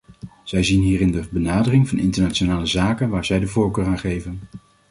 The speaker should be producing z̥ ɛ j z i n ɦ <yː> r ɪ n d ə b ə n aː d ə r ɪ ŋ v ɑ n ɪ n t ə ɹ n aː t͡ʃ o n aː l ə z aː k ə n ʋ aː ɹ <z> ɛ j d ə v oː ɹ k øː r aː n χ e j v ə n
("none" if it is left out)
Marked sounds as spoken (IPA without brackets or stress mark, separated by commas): iː, z